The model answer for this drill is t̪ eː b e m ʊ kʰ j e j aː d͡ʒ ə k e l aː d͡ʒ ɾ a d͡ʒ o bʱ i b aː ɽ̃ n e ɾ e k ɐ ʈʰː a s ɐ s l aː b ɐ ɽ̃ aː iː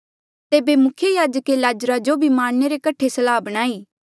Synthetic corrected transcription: t̪ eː b e m ʊ kʰ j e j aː d͡ʒ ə k e l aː d͡ʒ ɾ a d͡ʒ o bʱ i m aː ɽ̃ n e ɾ e k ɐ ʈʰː e s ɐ l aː b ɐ ɽ̃ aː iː